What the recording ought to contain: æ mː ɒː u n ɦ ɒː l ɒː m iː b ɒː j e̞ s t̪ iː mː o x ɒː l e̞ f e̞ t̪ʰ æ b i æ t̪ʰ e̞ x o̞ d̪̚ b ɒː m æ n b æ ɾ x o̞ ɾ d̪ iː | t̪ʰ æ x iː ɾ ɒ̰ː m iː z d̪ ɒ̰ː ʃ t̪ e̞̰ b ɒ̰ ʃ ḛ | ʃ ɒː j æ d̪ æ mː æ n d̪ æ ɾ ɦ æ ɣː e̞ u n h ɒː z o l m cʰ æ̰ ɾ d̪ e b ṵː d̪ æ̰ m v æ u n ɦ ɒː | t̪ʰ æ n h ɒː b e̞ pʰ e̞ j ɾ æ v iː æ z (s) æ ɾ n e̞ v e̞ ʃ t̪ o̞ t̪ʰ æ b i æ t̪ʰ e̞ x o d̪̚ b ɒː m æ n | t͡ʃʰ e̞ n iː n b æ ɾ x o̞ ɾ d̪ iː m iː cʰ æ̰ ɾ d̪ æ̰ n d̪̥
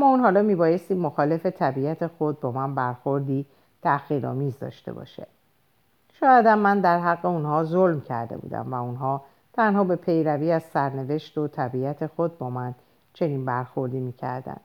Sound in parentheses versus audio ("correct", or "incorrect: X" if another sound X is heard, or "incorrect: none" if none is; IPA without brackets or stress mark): correct